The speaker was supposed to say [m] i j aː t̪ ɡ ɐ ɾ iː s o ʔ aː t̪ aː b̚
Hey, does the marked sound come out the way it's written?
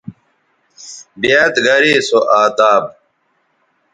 no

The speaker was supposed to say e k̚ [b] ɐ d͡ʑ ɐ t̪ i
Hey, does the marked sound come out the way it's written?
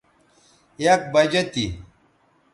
yes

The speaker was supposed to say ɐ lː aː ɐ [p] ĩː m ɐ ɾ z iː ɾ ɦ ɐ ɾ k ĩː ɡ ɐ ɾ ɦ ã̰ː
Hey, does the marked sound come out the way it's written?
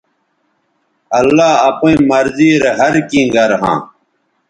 yes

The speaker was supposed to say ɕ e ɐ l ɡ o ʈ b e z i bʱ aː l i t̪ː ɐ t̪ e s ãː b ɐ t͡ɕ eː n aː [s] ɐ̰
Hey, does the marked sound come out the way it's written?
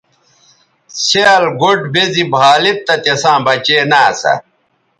yes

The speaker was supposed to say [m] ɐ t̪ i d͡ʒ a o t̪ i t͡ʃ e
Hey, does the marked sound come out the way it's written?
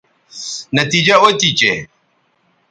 no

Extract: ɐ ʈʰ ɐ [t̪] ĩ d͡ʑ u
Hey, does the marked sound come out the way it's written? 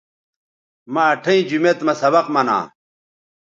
no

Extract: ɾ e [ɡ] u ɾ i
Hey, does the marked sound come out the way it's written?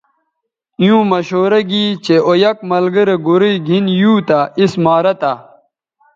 yes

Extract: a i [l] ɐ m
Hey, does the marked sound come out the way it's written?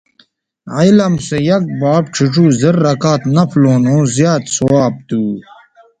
yes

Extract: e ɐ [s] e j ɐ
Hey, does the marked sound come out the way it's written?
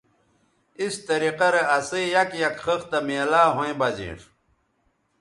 yes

